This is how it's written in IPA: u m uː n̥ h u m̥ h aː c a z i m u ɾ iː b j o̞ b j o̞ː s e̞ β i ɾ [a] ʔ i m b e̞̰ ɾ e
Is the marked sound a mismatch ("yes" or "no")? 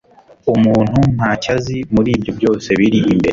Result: yes